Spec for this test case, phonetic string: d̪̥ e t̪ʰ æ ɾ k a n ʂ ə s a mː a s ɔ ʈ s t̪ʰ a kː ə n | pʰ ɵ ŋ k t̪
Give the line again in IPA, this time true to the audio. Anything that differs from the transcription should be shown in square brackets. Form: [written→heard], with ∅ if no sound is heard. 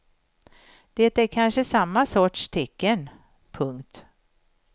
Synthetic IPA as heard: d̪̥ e [t̪ʰ→t̪] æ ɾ [k→kʰ] a n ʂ ə s a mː a s ɔ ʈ [s→ʂ] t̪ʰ [a→ɛ] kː ə n | pʰ ɵ ŋ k t̪